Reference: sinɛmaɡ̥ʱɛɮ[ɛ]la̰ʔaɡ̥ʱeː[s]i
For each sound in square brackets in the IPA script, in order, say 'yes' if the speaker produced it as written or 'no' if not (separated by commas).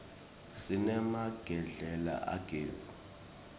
yes, no